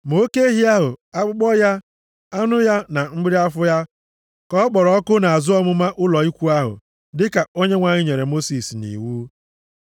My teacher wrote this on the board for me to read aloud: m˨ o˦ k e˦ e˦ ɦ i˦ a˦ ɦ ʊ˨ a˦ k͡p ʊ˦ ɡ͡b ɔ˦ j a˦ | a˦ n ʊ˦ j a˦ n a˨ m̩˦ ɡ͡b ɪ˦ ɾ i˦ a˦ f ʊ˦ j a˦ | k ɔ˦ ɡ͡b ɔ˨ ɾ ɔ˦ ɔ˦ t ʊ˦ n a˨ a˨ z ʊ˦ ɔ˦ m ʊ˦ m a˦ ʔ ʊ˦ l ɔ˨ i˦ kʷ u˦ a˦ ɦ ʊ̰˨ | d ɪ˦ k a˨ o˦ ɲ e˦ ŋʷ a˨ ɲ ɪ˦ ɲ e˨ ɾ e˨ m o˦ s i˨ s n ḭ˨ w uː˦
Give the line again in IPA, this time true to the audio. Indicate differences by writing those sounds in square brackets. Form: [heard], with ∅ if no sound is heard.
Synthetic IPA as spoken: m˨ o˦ k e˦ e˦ ɦ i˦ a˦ ɦ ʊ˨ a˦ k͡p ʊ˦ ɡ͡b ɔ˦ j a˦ | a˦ n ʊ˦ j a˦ n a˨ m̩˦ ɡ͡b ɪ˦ ɾ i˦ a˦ f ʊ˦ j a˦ | k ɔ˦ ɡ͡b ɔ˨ ɾ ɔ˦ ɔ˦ [k] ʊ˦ n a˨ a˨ z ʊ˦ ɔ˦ m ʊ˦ m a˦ ʔ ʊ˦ l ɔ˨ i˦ kʷ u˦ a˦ ɦ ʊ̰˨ | d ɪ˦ k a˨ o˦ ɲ e˦ ŋʷ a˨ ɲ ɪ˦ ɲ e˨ ɾ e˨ m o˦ s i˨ s n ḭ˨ w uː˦